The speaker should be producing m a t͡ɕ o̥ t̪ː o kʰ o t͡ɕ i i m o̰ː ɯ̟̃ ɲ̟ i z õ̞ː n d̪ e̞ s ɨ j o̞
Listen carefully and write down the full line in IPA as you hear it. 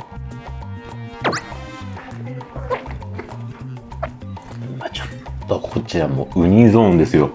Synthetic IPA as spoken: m a t͡ɕ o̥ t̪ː o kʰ o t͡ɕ i a m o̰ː ɯ̟ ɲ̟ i z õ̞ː n d̪ e̞ s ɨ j o̞

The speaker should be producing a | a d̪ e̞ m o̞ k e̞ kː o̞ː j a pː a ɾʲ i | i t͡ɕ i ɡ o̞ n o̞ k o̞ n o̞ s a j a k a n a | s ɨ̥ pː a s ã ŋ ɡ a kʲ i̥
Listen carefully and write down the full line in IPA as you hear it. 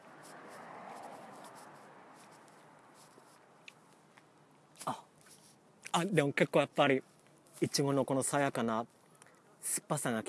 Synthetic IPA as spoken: a | a d̪ e̞ m o̞ k e̞ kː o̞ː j a pː a ɾʲ i | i t͡ɕ i ɡ o̞ n o̞ k o̞ n o̞ s a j a k a n a | s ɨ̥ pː a s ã ŋ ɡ a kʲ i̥

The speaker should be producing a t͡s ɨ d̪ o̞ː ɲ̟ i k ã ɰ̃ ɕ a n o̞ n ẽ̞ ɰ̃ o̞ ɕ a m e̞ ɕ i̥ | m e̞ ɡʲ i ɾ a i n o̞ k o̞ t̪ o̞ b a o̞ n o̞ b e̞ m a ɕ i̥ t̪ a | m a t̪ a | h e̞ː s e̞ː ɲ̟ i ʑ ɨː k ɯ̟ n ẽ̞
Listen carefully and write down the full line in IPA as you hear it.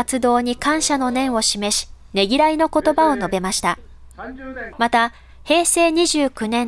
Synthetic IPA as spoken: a t͡s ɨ d̪ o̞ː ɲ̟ i k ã ɰ̃ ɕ a n o̞ n ẽ̞ ɰ̃ o̞ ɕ i m e̞ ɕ i̥ | n e̞ ɡʲ i ɾ a i n o̞ k o̞ t̪ o̞ b a o̞ n o̞ b e̞ m a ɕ i̥ t̪ a | m a t̪ a | h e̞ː s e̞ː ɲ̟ i ʑ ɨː k ɯ̟ n ẽ̞

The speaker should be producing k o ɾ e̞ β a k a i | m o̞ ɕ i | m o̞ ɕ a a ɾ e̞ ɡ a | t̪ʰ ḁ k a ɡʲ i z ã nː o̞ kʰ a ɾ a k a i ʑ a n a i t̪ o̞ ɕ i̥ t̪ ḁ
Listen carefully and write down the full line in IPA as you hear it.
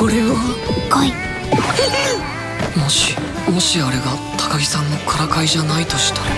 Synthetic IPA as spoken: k o ɾ e̞ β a k a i | m o̞ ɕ i | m o̞ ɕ i a ɾ e̞ ɡ a | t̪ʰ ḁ k a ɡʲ i s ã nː o̞ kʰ a ɾ a k a i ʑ a n a i t̪ o̞ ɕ i̥ t̪ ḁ

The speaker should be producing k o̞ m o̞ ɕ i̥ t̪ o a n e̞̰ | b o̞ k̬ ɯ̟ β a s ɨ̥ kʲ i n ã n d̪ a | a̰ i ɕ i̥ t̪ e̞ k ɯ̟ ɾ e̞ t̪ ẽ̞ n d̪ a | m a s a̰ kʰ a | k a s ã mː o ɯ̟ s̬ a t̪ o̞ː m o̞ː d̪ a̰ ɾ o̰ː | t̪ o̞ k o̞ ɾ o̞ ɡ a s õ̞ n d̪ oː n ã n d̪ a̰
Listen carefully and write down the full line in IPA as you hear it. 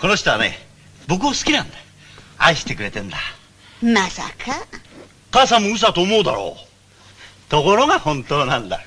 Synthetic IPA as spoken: k o̞ n o̞ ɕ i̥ t̪ o a n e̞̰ | b o̞ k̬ ɯ̟ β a s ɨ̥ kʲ i n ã n d̪ a | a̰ i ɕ i̥ t̪ e̞ k ɯ̟ ɾ e̞ t̪ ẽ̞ n d̪ a | m a s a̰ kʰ a | k a s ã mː o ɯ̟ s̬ a t̪ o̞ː m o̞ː d̪ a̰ ɾ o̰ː | t̪ o̞ k o̞ ɾ o̞ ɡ a h õ̞ n t̪ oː n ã n d̪ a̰

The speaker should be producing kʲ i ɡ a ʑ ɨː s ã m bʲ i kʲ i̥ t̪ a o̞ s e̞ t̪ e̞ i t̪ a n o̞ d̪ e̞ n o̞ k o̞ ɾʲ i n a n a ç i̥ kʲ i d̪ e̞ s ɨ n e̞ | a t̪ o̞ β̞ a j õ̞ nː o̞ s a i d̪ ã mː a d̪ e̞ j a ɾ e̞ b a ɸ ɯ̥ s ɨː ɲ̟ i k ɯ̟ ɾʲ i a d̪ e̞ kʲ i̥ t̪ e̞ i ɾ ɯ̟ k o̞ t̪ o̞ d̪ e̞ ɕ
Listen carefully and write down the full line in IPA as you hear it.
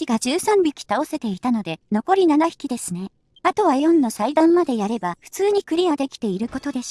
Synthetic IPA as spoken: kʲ i ɡ a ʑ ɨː s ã m bʲ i kʲ i̥ t̪ a o̞ s e̞ t̪ e̞ i t̪ a n o̞ d̪ e̞ n o̞ k o̞ ɾʲ i n a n a ç i̥ kʲ i d̪ e̞ s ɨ n e̞ | a t̪ o̞ β̞ a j õ̞ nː o̞ s a i d̪ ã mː a d̪ e̞ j a ɾ e̞ b a ɸ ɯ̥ t͡s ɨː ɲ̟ i k ɯ̟ ɾʲ i a d̪ e̞ kʲ i̥ t̪ e̞ i ɾ ɯ̟ k o̞ t̪ o̞ d̪ e̞ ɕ

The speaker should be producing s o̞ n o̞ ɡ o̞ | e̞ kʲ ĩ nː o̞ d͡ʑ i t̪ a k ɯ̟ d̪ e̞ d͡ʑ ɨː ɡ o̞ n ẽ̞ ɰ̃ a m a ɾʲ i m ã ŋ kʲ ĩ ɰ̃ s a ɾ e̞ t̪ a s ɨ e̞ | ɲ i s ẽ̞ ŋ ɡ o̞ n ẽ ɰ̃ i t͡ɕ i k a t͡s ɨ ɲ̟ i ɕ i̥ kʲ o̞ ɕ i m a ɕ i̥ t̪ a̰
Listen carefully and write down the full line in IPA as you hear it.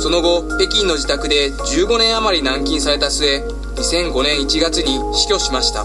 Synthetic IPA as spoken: s o̞ n o̞ ɡ o̞ | e̞ kʲ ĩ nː o̞ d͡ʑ i t̪ a k ɯ̟ d̪ e̞ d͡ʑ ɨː ɡ o̞ n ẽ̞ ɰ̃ a m a ɾʲ i n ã ŋ kʲ ĩ ɰ̃ s a ɾ e̞ t̪ a s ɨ e̞ | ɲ i s ẽ̞ ŋ ɡ o̞ n ẽ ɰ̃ i t͡ɕ i ɡ a t͡s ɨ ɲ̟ i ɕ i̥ kʲ o̞ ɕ i m a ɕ i̥ t̪ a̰

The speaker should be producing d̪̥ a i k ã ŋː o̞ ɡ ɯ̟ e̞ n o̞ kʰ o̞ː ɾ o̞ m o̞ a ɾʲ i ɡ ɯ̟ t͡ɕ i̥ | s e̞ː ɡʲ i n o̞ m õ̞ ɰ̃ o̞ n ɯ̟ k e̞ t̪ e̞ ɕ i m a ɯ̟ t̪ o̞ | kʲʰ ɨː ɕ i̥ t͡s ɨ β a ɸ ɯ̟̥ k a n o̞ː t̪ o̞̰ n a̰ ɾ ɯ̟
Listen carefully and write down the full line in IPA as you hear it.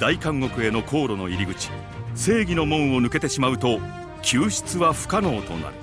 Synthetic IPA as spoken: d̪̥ a i k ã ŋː o̞ k ɯ̟ e̞ n o̞ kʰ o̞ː ɾ o̞ n o̞ i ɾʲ i ɡ ɯ̟ t͡ɕ i̥ | s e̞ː ɡʲ i n o̞ m õ̞ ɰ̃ o̞ n ɯ̟ k e̞ t̪ e̞ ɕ i m a ɯ̟ t̪ o̞ | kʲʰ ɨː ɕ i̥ t͡s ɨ β a ɸ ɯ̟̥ k a n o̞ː t̪ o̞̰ n a̰ ɾ ɯ̟

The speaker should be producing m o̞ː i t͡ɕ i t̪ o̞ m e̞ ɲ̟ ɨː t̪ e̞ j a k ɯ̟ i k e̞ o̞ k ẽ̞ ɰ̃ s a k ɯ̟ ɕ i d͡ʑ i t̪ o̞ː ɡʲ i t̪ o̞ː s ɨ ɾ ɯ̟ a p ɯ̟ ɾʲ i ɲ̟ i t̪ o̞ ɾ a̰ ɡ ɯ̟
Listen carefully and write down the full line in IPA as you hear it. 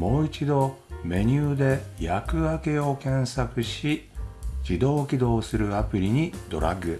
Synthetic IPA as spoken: m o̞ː i t͡ɕ i d̪ o̞ m e̞ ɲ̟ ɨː d̪ e̞ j a k ɯ̟ a k e̞ o̞ k ẽ̞ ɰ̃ s a k ɯ̟ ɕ i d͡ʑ i d̪ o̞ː kʲ i d̪ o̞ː s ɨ ɾ ɯ̟ a p ɯ̟ ɾʲ i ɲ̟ i d̪ o̞ ɾ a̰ ɡ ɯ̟

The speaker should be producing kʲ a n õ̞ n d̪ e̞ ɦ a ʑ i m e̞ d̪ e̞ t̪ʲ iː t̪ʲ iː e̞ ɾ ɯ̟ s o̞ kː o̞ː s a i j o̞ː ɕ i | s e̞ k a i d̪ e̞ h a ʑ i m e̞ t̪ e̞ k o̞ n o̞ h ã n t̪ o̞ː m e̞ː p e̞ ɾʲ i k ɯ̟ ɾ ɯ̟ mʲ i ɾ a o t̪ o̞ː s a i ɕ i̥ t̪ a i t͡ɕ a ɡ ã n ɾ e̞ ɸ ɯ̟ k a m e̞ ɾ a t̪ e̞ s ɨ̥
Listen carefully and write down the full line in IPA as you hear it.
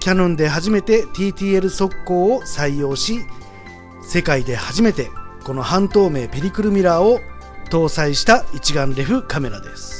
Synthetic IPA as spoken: kʲ a n õ̞ n d̪ e̞ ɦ a ʑ i m e̞ t̪ e̞ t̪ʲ iː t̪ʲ iː e̞ ɾ ɯ̟ s o̞ kː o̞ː s a i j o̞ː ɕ i | s e̞ k a i d̪ e̞ h a ʑ i m e̞ t̪ e̞ k o̞ n o̞ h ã n t̪ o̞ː m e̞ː p e̞ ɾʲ i k ɯ̟ ɾ ɯ̟ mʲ i ɾ a o t̪ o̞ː s a i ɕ i̥ t̪ a i t͡ɕ i ɡ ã n ɾ e̞ ɸ ɯ̟ k a m e̞ ɾ a d̪ e̞ s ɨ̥

